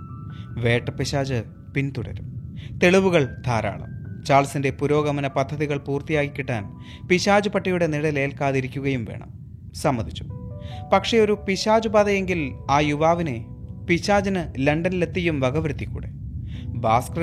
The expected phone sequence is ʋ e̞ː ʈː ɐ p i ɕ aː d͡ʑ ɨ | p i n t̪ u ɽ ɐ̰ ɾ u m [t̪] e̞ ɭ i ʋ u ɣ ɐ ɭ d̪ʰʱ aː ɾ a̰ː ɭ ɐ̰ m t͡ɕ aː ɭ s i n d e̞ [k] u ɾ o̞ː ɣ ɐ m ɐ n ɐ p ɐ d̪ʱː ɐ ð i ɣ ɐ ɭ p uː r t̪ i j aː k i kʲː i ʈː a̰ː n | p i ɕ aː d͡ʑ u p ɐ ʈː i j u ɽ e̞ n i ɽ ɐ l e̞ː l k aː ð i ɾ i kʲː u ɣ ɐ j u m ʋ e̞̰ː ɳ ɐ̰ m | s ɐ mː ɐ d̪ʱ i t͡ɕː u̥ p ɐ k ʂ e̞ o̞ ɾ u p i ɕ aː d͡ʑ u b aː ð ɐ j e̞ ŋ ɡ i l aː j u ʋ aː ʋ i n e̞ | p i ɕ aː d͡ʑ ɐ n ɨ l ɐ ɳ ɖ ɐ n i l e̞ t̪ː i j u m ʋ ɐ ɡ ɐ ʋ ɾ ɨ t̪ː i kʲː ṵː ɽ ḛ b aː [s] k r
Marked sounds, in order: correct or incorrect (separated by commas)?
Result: correct, incorrect, correct